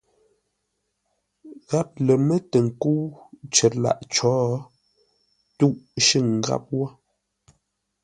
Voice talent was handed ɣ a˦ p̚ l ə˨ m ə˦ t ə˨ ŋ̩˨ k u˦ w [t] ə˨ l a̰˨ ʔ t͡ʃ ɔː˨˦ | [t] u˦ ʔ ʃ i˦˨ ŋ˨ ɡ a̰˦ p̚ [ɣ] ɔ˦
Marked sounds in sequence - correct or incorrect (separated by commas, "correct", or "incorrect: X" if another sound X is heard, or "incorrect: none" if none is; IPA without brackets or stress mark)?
incorrect: t͡ʃ, correct, incorrect: w